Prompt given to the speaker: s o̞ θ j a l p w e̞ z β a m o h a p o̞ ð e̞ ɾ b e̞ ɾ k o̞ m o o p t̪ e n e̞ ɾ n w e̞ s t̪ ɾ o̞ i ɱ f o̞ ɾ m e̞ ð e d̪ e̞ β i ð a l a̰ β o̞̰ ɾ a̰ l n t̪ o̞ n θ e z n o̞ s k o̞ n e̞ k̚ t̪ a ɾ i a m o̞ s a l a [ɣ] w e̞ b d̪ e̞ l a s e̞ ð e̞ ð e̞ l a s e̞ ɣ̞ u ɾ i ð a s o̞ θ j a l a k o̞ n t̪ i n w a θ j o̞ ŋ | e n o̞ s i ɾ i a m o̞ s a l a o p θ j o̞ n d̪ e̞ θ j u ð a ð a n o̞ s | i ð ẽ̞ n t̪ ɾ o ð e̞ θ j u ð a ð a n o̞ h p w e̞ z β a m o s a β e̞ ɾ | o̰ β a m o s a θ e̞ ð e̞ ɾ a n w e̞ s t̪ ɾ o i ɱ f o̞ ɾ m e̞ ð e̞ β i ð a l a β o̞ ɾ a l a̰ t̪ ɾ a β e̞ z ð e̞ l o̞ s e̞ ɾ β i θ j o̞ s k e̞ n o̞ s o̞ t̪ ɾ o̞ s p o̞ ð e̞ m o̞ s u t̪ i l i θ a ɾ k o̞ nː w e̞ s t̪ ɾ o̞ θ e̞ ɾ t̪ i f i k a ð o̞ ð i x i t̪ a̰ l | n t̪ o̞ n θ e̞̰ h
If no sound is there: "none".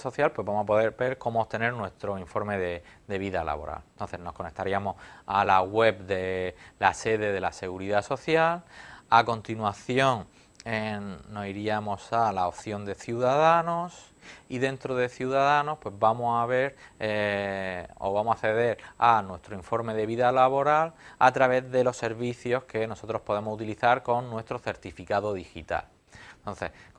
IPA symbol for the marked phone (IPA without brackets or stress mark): ɣ